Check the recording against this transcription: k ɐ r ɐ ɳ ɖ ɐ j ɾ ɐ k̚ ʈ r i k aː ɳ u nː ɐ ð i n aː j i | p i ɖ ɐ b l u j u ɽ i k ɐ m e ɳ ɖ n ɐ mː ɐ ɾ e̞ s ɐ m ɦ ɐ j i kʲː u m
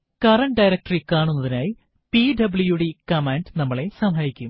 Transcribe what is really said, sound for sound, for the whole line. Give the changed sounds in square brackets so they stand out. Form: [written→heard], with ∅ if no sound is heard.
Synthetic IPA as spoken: k ɐ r ɐ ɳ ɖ ɐ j ɾ ɐ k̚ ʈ r i k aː ɳ u nː ɐ ð i n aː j i | p i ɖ ɐ b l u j u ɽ i k ɐ m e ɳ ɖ n ɐ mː ɐ [ɾ→ɭ] e̞ s ɐ m ɦ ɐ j i kʲː u m